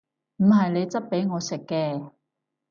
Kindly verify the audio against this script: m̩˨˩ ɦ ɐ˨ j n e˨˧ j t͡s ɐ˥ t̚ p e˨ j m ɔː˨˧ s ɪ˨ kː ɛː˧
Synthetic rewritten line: m̩˨˩ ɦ ɐ˨ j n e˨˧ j t͡s ɐ˥ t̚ p e˨˥ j ŋ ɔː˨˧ s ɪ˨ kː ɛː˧